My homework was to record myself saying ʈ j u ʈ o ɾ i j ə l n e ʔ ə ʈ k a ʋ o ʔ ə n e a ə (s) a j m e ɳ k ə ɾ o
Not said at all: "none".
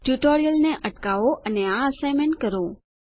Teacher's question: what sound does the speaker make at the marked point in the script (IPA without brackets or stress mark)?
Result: s